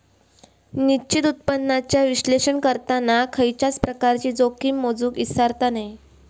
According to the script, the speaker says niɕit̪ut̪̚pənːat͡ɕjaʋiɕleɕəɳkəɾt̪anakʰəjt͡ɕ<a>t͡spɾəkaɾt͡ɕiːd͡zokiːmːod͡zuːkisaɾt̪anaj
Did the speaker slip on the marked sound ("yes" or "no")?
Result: no